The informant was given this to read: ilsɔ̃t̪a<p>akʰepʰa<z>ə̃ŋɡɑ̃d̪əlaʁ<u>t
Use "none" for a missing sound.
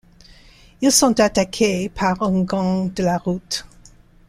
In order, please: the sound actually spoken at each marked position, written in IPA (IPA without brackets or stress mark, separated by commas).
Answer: t, ʁ, u